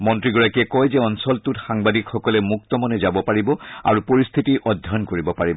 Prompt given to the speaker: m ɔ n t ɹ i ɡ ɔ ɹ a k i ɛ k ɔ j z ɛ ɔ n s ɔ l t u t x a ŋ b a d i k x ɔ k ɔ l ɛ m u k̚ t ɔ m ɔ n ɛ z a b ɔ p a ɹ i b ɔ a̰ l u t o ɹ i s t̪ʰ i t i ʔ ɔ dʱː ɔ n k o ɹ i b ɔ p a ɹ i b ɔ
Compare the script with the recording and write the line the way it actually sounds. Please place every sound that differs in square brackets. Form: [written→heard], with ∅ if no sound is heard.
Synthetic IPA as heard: m ɔ n t ɹ i ɡ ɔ ɹ a k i ɛ k ɔ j z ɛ ɔ n s ɔ l t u t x a ŋ b a d i k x ɔ k ɔ l ɛ m u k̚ t ɔ m ɔ n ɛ z a b ɔ p a ɹ i b ɔ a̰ [l→ɹ] u [t→p] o ɹ i s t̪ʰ i t i ʔ ɔ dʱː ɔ n k o ɹ i b ɔ p a ɹ i b ɔ